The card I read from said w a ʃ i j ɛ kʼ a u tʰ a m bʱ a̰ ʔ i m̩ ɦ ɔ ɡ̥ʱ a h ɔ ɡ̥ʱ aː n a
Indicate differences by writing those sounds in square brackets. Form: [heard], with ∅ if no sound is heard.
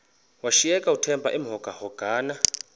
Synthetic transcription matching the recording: w a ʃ i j ɛ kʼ a u tʰ [ɛ] m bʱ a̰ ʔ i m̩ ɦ ɔ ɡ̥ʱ a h ɔ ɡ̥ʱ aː n a